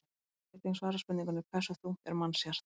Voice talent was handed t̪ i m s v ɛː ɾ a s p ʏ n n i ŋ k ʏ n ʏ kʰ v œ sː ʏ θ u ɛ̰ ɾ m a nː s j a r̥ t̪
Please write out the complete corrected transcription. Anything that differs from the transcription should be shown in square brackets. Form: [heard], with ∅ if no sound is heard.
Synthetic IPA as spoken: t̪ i [ŋ] s v [aː] ɾ a s p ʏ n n i ŋ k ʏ n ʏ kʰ v [ɛ] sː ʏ θ u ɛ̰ ɾ m a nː s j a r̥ t̪